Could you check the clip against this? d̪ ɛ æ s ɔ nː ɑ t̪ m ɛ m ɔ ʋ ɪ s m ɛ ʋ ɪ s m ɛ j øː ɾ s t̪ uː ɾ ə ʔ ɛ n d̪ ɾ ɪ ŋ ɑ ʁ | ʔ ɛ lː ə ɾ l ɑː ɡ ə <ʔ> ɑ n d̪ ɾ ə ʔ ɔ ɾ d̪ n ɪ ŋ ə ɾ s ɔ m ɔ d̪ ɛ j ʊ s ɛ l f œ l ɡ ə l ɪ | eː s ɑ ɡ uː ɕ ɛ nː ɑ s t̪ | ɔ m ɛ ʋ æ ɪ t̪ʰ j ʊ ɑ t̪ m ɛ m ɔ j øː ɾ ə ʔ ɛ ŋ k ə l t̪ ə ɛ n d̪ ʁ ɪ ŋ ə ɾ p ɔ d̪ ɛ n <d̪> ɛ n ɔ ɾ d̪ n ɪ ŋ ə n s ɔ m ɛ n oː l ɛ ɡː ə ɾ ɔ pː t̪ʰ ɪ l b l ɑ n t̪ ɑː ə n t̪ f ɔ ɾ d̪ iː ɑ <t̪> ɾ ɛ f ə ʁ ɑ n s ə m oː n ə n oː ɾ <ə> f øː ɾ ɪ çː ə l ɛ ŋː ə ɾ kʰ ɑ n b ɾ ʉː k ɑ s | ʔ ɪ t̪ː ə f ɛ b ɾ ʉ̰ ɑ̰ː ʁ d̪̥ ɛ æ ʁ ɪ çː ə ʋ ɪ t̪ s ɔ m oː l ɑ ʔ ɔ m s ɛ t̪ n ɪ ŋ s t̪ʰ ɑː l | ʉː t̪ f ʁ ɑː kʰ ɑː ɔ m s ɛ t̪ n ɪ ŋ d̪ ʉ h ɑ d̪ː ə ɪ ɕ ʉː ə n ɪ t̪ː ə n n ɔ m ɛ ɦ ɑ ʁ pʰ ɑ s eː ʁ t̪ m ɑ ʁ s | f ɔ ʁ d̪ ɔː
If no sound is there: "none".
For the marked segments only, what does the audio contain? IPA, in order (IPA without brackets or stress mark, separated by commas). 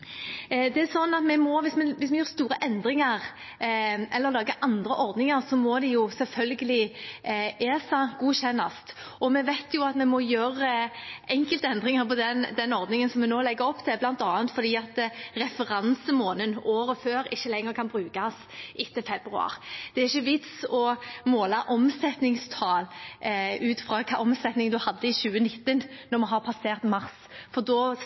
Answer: ʔ, d̪, t̪, ə